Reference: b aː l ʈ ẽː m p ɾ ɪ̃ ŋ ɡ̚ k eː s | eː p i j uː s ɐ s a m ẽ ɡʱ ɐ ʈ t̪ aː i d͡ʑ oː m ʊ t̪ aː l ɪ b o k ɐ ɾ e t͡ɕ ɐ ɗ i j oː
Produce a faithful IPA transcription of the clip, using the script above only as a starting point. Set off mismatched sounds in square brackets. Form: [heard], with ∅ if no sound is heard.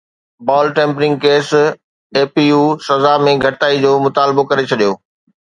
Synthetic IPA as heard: b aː l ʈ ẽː m p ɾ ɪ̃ ŋ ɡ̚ k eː s | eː p i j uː s ɐ [z] a m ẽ ɡʱ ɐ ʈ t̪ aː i d͡ʑ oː m ʊ t̪ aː l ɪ b o k ɐ ɾ e [t͡ɕʰ] ɐ ɗ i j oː

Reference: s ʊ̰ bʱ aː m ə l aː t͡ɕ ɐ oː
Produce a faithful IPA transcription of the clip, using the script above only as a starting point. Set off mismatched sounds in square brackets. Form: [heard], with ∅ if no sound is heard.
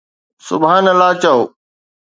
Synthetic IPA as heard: s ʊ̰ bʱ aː [n] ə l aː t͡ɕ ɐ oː

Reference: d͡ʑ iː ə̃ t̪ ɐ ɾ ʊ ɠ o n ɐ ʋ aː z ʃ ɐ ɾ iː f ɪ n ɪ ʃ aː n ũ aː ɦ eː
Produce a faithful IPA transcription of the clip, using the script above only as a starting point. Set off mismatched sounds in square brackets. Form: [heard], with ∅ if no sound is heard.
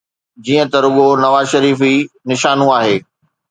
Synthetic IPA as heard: d͡ʑ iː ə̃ t̪ ɐ ɾ ʊ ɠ o n ɐ ʋ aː z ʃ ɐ ɾ iː f [i] n ɪ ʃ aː n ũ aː ɦ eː

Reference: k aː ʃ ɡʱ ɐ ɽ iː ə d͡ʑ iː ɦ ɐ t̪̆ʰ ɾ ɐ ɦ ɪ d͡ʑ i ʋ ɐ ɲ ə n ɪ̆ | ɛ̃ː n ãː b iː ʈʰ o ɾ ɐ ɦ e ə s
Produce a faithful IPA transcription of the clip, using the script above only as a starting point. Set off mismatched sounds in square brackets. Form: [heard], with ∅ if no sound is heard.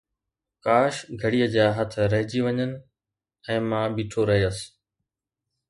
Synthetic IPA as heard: k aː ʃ ɡʱ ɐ ɽ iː ə d͡ʑ [aː] ɦ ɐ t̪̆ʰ ɾ ɐ ɦ ɪ d͡ʑ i ʋ ɐ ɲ ə n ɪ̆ | ɛ̃ː [m] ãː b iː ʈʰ o ɾ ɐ ɦ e ə s

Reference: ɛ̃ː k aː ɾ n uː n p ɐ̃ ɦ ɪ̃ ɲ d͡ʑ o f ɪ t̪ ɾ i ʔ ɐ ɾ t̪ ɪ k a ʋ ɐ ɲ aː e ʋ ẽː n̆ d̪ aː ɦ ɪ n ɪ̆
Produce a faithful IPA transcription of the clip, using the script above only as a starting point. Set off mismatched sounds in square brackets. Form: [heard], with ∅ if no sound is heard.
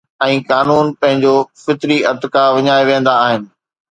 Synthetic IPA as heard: ɛ̃ː k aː [∅] n uː n p ɐ̃ ɦ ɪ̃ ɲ d͡ʑ o f ɪ t̪ ɾ i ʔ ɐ ɾ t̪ ɪ k a ʋ ɐ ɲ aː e ʋ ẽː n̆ d̪ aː ɦ ɪ n ɪ̆

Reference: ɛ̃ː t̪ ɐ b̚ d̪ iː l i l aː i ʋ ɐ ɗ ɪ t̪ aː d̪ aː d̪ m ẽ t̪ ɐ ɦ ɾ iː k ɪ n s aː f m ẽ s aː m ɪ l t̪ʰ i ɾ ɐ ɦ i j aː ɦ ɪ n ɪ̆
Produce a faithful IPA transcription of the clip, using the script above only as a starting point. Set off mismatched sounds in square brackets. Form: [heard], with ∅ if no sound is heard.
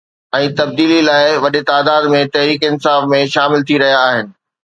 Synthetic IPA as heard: ɛ̃ː t̪ ɐ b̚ d̪ iː l i l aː [ɪ] ʋ ɐ ɗ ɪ t̪ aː d̪ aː d̪ m ẽ t̪ ɐ ɦ ɾ iː k ɪ n s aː f m ẽ [ʃ] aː m ɪ l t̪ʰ i ɾ ɐ ɦ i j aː ɦ ɪ n ɪ̆

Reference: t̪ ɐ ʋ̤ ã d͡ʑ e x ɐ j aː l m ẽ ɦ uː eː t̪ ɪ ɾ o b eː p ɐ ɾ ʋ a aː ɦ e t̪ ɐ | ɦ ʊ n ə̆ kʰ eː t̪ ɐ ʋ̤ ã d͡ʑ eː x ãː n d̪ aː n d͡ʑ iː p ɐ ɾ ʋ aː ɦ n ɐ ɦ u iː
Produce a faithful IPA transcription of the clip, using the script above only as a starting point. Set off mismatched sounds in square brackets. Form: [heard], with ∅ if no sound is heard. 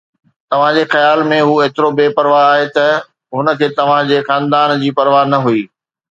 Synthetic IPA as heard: t̪ ɐ ʋ̤ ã d͡ʑ e x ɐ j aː l m ẽ ɦ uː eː t̪ ɪ ɾ o b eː p ɐ ɾ ʋ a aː ɦ e t̪ ɐ | ɦ ʊ n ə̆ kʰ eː t̪ ɐ ʋ̤ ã d͡ʑ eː x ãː n d̪ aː n d͡ʑ iː p ɐ ɾ ʋ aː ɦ n ɐ ɦ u iː

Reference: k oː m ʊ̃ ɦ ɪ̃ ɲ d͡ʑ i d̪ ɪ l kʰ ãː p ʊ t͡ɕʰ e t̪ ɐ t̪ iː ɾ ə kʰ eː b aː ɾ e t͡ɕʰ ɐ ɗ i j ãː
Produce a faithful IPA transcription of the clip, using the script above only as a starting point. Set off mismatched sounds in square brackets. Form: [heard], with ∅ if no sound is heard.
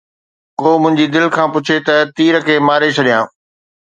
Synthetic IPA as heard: k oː m ʊ̃ ɦ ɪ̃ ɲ d͡ʑ i d̪ ɪ l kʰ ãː p ʊ t͡ɕʰ e t̪ ɐ t̪ iː ɾ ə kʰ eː [m] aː ɾ e t͡ɕʰ ɐ ɗ i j ãː

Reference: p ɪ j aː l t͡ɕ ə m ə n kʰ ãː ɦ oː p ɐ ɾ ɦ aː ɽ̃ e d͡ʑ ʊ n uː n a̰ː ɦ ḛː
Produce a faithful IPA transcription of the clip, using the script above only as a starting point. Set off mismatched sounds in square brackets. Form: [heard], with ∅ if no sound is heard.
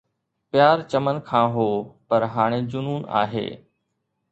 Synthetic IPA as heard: p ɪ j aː [ɾ] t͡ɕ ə m ə n kʰ ãː ɦ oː p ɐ ɾ ɦ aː ɽ̃ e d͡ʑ ʊ n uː n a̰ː ɦ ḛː

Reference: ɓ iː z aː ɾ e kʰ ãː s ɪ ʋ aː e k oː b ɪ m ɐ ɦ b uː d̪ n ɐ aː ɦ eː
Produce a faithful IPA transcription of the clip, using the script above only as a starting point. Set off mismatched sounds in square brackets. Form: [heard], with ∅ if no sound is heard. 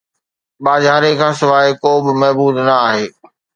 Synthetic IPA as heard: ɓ [aː] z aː ɾ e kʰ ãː s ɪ ʋ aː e k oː b ɪ m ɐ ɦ b uː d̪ n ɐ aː ɦ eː

